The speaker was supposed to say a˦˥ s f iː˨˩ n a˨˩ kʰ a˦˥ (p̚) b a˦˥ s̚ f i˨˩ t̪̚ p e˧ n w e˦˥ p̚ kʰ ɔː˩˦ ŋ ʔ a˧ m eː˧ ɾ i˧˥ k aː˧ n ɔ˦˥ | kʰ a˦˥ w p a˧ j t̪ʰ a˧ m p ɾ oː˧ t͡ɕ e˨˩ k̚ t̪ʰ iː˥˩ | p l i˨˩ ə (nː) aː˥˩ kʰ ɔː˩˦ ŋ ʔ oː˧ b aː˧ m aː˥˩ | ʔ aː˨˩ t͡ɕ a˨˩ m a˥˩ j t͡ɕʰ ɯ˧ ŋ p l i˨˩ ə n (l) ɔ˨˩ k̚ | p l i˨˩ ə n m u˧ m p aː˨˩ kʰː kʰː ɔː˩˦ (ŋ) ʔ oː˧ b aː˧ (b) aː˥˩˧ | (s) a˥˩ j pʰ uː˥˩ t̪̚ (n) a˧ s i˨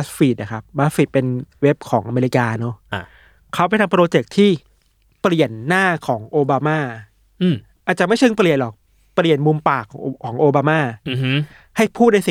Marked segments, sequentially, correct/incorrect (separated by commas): correct, correct, correct, correct, incorrect, incorrect, correct